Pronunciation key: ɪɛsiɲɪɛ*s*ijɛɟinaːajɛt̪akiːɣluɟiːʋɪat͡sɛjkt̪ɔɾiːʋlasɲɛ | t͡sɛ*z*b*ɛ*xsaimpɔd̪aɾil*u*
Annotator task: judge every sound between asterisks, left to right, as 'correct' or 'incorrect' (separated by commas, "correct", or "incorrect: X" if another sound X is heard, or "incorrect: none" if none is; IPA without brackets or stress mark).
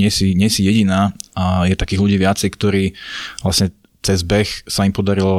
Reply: correct, correct, correct, incorrect: ɔ